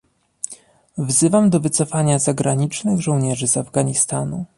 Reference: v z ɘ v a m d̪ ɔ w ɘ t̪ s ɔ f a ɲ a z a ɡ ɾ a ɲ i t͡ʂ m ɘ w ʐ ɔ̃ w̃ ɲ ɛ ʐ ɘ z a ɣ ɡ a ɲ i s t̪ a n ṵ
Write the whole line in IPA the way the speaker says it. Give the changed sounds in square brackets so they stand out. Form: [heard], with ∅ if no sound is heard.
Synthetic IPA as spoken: v z ɘ v a m d̪ ɔ [v] ɘ t̪ s ɔ f a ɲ a z a ɡ ɾ a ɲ i t͡ʂ [n] ɘ [ɣ] ʐ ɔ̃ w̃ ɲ ɛ ʐ ɘ z a [v] ɡ a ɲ i s t̪ a n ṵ